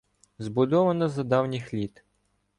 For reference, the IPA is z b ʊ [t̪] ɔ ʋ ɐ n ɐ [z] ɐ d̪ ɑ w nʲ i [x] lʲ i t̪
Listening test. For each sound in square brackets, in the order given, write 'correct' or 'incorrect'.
incorrect, correct, correct

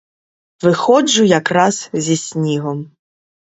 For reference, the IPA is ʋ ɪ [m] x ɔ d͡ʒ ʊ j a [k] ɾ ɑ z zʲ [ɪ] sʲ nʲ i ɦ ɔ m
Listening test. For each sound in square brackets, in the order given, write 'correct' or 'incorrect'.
incorrect, correct, incorrect

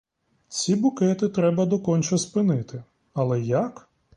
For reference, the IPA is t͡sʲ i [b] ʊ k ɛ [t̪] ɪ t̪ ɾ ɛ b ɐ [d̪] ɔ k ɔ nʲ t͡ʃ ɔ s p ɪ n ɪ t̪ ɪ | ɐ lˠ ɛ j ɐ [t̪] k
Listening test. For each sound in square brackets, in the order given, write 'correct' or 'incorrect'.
correct, correct, correct, incorrect

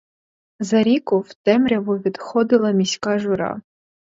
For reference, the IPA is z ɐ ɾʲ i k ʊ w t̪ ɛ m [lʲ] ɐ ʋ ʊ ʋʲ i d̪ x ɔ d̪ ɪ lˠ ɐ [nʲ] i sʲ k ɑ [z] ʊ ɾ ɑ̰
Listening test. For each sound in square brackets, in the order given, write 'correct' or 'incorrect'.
incorrect, incorrect, incorrect

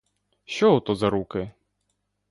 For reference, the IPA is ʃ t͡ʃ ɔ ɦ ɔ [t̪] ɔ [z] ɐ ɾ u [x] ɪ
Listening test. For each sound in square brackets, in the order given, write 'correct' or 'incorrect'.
correct, correct, incorrect

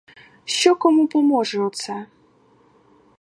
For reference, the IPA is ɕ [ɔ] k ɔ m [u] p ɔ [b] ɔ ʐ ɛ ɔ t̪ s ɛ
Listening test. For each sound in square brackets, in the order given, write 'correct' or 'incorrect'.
correct, correct, incorrect

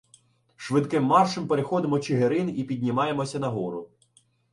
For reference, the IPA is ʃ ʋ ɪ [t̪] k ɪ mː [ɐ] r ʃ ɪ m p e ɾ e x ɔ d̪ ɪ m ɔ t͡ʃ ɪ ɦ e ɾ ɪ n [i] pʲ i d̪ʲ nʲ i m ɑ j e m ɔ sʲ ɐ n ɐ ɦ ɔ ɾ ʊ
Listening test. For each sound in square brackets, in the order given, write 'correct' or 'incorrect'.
incorrect, incorrect, correct

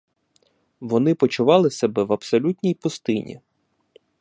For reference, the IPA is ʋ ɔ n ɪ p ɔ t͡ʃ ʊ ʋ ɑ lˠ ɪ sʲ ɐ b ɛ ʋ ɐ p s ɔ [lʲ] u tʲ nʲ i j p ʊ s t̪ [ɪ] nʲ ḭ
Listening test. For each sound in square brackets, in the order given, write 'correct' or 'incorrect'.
correct, correct

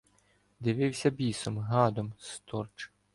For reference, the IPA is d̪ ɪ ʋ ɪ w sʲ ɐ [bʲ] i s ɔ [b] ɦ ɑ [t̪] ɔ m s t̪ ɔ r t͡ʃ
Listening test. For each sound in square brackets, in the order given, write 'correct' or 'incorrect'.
correct, incorrect, incorrect

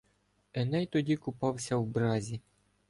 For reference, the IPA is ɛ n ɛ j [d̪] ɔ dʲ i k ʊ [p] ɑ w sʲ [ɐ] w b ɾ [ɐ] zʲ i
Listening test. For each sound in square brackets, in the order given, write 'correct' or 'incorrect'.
incorrect, correct, correct, incorrect

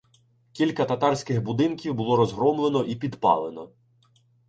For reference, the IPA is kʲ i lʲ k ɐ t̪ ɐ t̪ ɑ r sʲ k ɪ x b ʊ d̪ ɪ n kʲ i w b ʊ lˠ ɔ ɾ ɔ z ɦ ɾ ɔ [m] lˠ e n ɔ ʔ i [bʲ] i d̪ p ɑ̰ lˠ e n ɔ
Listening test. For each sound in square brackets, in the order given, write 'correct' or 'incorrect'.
correct, incorrect

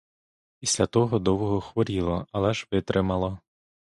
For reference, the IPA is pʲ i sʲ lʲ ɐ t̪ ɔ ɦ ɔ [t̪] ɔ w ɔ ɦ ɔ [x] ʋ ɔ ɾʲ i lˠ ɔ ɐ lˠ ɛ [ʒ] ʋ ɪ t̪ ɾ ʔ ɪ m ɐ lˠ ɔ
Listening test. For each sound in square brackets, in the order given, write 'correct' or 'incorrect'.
incorrect, correct, correct

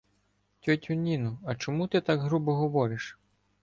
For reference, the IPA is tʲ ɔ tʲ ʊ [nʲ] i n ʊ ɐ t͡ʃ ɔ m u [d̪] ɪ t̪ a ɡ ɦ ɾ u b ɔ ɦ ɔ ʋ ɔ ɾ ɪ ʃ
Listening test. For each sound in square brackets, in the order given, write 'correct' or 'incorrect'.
correct, incorrect

